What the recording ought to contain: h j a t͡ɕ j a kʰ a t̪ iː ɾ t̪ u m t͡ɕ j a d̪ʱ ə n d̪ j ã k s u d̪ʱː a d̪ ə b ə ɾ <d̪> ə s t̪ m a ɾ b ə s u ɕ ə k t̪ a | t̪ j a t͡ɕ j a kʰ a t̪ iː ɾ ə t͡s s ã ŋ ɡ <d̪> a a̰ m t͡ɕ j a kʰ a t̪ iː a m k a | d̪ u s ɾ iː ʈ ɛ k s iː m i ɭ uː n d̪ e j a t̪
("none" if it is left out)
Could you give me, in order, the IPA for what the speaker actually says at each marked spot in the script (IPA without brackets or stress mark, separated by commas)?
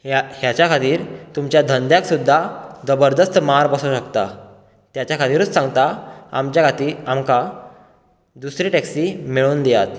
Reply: d̪, t̪